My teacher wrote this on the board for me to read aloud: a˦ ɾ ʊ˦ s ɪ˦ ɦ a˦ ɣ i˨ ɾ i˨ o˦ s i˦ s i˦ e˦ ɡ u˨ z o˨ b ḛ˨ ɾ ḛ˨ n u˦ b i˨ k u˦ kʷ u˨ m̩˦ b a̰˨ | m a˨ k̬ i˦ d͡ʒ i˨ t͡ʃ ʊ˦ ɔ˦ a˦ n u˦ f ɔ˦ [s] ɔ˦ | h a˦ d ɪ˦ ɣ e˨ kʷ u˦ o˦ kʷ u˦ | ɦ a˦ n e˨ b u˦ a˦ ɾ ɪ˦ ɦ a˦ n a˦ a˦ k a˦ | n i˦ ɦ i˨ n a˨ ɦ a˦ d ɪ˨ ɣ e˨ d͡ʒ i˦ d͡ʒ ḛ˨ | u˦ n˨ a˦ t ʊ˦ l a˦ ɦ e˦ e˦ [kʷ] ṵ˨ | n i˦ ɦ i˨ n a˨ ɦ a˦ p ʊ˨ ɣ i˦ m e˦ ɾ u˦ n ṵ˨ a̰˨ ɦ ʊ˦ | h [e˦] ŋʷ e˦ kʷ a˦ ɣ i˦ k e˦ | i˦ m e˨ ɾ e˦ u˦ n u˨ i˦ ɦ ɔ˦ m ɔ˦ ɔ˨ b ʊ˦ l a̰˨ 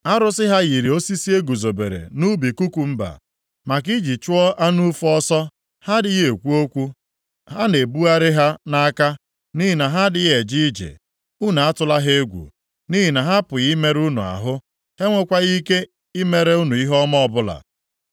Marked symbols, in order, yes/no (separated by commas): yes, no, yes